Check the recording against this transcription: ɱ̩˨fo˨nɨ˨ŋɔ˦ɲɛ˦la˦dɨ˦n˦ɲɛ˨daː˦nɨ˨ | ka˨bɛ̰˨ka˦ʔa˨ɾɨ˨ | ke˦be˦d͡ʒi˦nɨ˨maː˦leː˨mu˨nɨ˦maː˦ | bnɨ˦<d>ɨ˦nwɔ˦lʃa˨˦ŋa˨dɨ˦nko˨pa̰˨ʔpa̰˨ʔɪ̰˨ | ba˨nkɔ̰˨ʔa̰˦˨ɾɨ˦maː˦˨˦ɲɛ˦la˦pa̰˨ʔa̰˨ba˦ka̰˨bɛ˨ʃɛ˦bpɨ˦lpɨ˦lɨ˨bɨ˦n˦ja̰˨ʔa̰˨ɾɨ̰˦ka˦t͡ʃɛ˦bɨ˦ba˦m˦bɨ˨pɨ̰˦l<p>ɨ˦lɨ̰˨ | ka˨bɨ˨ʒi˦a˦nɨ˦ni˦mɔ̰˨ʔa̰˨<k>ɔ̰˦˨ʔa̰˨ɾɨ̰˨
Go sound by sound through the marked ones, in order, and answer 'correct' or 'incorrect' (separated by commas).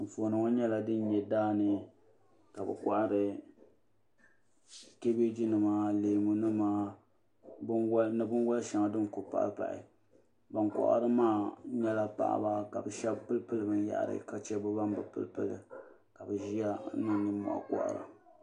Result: incorrect, correct, correct